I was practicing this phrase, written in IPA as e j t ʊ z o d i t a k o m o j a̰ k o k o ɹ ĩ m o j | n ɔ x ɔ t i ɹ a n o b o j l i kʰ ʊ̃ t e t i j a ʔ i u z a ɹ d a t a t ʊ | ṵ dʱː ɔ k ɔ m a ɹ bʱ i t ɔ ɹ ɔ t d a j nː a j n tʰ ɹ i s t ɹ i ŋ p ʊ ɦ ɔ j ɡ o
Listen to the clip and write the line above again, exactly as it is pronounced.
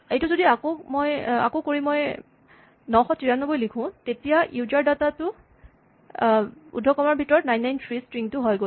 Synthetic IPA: e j t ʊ z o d i a k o m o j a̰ k o k o ɹ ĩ m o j | n ɔ x ɔ t i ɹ a n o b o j l i kʰ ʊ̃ t e t i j a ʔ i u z a ɹ d a t a t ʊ | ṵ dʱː ɔ k ɔ m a ɹ bʱ i t ɔ ɹ ɔ t n a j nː a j n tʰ ɹ i s t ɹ i ŋ t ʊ ɦ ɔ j ɡ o